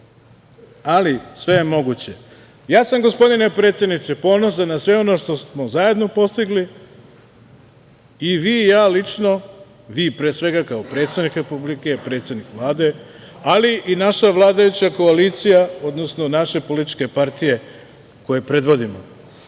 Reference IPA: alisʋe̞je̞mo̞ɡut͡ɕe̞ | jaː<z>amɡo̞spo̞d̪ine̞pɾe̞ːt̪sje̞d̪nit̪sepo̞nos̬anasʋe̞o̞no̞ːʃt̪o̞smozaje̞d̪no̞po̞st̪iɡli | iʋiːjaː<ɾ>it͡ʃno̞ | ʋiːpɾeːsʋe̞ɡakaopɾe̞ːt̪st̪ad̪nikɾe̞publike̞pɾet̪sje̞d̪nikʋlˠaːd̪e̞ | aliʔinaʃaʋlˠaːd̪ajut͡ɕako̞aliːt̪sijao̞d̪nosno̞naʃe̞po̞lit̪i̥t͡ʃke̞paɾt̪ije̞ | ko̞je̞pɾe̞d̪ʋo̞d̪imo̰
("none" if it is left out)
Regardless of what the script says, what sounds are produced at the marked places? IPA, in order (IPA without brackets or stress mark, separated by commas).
s, l